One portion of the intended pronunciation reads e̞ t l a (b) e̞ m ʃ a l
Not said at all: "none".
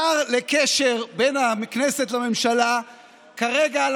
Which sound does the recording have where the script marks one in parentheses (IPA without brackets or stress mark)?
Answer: m